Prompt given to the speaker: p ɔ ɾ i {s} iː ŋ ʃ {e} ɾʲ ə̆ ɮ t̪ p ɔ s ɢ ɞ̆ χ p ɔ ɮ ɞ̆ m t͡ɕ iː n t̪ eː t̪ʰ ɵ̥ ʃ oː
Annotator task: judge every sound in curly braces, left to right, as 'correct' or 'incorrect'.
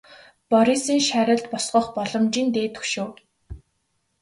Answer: correct, incorrect: æ

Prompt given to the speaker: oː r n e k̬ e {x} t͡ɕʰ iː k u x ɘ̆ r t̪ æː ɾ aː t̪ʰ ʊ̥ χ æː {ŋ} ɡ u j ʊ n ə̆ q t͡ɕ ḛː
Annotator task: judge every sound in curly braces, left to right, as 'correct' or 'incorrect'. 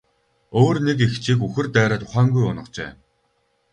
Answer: correct, correct

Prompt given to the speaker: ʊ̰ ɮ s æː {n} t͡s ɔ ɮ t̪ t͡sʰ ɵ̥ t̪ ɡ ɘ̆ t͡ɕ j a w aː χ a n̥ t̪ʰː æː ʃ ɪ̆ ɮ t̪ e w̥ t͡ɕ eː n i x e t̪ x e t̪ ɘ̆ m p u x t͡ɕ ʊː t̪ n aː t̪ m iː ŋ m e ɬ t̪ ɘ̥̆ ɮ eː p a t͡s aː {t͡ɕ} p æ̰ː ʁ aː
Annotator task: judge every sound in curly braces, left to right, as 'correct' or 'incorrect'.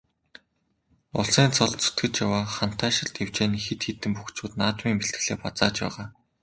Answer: correct, correct

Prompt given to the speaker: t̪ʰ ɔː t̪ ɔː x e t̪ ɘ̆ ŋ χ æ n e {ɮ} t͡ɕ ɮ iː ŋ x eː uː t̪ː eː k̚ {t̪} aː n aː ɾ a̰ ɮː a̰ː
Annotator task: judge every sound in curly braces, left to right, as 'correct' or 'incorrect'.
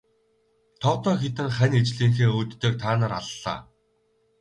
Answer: incorrect: none, incorrect: t̪ʰ

